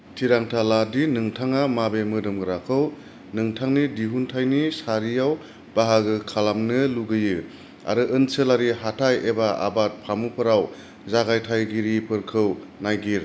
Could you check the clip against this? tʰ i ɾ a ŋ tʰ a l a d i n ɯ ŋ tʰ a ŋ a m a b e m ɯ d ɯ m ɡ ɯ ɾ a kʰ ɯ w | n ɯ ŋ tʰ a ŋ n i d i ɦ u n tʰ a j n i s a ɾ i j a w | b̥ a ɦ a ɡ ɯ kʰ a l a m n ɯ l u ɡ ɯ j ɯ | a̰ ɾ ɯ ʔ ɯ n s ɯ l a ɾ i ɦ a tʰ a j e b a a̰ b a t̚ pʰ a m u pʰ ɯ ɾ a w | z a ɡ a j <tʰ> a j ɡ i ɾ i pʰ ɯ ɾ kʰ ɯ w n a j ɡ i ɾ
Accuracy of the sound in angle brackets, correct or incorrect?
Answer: correct